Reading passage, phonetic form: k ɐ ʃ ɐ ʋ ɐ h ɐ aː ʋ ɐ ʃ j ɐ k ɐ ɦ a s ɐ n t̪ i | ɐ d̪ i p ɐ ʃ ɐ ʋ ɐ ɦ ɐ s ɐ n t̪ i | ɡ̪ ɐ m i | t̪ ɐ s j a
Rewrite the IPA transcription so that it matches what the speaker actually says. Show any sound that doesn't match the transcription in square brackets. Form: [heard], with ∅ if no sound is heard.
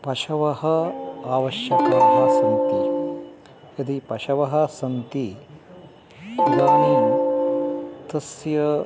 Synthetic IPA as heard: [p] ɐ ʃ ɐ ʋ ɐ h ɐ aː ʋ ɐ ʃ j ɐ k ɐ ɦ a s ɐ n t̪ i | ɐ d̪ i p ɐ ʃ ɐ ʋ ɐ ɦ ɐ s ɐ n t̪ i | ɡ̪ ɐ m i | t̪ ɐ s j [ɐ]